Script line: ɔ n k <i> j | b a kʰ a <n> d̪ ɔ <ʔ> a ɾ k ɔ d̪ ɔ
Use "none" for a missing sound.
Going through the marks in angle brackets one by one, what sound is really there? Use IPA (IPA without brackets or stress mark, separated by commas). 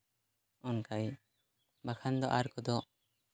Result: a, n, ʔ